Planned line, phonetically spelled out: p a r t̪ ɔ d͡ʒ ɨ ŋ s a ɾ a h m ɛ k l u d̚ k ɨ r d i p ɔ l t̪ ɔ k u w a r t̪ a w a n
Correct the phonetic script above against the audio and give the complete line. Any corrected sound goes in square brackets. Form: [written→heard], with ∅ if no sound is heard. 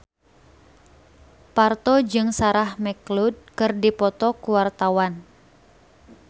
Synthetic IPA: p a r t̪ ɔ d͡ʒ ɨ ŋ s a ɾ a h m ɛ k l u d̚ k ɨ r d i p ɔ [l→∅] t̪ ɔ k u w a r t̪ a w a n